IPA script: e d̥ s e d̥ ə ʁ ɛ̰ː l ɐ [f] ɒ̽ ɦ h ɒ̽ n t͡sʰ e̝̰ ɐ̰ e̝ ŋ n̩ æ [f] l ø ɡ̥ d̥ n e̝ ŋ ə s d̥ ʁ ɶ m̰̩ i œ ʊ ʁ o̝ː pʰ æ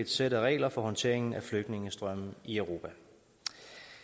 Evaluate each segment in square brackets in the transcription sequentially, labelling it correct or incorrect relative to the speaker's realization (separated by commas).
correct, correct